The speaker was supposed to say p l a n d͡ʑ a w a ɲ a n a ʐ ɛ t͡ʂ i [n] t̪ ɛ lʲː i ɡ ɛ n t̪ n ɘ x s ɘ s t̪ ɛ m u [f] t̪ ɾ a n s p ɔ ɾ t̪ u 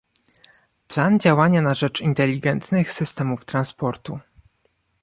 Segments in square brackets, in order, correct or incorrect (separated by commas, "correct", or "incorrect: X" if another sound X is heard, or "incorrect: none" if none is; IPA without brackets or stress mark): correct, correct